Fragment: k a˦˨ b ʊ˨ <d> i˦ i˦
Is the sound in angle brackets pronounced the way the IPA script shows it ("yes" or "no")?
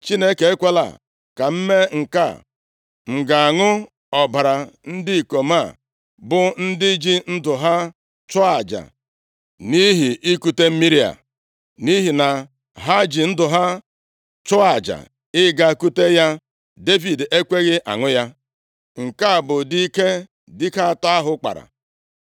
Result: yes